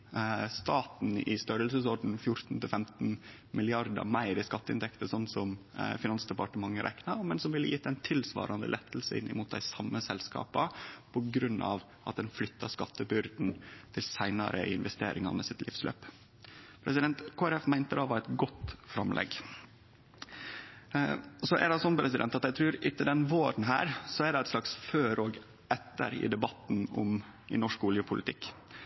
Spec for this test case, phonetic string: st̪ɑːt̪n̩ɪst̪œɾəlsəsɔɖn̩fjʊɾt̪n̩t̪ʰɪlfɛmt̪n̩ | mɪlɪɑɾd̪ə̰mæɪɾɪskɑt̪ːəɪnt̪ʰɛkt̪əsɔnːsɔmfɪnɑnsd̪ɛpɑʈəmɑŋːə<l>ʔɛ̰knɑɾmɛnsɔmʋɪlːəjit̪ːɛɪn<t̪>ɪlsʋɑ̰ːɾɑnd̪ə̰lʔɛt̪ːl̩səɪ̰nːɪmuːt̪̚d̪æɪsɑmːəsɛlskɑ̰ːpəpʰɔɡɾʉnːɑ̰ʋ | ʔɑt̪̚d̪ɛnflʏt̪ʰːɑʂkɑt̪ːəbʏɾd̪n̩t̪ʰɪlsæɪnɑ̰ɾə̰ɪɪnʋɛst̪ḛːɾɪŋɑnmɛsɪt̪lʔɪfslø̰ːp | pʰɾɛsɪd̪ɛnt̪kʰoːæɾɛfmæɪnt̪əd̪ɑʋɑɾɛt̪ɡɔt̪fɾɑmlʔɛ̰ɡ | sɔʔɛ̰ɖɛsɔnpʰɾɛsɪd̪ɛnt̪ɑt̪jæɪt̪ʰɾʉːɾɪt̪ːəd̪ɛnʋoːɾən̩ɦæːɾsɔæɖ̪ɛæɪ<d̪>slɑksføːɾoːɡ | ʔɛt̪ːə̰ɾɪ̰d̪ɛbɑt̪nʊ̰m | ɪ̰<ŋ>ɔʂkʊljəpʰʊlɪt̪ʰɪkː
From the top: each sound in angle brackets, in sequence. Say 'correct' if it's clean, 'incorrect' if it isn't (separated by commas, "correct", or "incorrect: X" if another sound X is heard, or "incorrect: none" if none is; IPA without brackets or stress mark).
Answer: incorrect: ɾ, incorrect: t̪ʰ, incorrect: t̪, incorrect: n